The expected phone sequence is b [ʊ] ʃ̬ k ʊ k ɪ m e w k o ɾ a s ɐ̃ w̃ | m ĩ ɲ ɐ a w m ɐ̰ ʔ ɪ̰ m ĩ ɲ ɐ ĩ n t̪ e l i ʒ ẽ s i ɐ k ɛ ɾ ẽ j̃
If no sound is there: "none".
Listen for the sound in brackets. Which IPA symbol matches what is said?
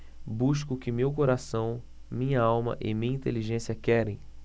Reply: u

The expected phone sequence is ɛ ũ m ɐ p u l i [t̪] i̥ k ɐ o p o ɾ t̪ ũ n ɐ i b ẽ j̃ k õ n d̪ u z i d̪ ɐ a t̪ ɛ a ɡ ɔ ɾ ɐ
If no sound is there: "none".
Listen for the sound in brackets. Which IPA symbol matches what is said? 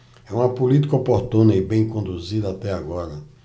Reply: t̪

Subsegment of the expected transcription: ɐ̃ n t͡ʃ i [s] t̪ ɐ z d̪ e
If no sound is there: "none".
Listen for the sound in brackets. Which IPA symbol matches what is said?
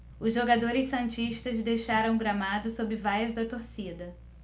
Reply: ʃ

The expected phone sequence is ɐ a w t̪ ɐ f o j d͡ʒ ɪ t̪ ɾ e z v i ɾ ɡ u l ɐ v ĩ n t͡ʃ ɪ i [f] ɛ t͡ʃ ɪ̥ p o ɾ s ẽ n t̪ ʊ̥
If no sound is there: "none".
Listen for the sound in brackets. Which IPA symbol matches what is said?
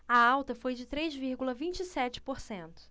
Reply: s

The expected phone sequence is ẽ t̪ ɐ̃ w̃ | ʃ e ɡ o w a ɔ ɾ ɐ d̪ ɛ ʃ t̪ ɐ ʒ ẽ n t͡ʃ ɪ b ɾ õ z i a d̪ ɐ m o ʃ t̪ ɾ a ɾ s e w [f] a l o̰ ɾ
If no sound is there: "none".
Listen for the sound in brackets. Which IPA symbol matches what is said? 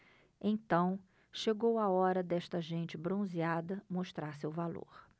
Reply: v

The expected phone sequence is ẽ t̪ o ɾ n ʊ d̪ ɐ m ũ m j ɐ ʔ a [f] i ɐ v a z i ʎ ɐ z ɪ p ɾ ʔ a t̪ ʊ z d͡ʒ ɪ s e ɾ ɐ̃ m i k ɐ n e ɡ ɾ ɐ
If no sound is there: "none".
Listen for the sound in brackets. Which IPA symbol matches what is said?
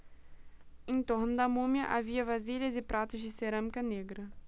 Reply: v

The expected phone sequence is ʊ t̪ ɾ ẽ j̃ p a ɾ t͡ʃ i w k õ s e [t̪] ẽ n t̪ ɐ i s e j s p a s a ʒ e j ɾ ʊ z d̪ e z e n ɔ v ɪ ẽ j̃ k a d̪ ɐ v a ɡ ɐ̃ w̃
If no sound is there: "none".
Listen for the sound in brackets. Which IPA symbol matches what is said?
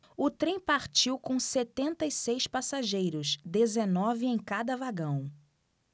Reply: t̪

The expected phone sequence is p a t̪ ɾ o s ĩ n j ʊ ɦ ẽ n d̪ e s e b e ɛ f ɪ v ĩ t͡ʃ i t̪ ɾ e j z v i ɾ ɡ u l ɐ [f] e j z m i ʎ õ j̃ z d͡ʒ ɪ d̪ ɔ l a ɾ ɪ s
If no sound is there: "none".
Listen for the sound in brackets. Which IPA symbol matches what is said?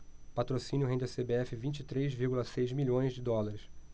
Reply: s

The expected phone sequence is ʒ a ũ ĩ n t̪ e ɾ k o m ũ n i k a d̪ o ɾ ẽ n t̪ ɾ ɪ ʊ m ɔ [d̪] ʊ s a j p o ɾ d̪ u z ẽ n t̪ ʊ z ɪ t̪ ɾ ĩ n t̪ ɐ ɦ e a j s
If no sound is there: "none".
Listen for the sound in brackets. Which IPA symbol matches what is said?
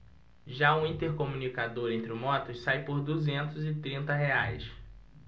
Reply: t̪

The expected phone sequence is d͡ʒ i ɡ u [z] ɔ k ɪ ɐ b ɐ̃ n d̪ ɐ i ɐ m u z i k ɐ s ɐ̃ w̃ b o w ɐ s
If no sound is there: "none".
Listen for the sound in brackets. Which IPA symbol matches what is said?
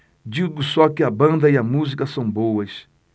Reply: s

